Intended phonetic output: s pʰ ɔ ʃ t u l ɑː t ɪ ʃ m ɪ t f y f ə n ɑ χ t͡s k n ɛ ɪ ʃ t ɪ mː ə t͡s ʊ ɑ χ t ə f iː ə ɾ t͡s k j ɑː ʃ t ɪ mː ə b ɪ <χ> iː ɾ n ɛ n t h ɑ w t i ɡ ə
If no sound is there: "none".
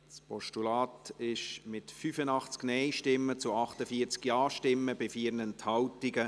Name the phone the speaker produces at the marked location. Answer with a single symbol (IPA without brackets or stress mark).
f